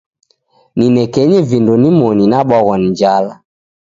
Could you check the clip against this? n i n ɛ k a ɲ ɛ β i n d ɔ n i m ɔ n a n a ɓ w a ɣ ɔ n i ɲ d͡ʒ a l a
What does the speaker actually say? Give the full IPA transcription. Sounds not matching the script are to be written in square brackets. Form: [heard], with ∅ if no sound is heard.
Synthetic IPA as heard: n i n ɛ k [ɛ] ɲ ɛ [v] i n d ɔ n i m ɔ n [i] n a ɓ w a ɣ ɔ n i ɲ d͡ʒ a l a